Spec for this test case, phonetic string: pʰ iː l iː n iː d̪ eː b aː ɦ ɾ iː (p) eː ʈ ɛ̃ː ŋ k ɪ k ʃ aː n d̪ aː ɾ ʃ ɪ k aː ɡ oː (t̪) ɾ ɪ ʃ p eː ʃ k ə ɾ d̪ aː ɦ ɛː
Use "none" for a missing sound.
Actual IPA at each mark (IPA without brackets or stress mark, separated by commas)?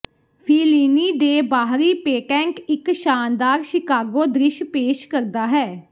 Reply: p, d̪